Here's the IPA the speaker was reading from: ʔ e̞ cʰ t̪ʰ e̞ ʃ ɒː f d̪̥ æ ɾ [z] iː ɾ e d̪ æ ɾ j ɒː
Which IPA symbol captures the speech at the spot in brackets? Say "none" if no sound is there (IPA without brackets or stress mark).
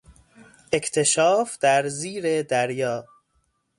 z